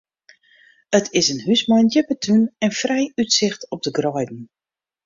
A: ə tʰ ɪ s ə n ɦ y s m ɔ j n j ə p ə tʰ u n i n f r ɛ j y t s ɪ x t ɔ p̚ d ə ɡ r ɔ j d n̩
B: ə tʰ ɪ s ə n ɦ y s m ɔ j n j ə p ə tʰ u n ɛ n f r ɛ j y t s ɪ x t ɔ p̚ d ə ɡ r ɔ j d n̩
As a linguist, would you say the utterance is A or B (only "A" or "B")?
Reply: B